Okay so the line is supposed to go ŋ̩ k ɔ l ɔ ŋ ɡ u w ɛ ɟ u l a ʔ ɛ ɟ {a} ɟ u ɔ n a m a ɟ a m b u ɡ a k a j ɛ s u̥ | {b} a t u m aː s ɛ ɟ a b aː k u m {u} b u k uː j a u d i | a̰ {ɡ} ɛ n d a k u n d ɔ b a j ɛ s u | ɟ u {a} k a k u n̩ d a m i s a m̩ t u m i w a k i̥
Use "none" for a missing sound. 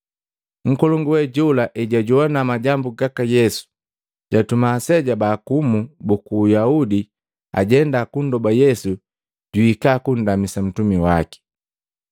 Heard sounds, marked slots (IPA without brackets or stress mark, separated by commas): a, ɟ, u, ɟ, i